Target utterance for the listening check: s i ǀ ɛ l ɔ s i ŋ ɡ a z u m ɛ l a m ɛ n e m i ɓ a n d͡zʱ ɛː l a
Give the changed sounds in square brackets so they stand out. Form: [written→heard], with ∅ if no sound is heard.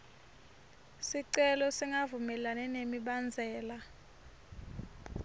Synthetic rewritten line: s i ǀ ɛ l ɔ s i ŋ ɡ a [z→v] u m ɛ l a [m→n] ɛ n e m i ɓ a n d͡zʱ ɛː l a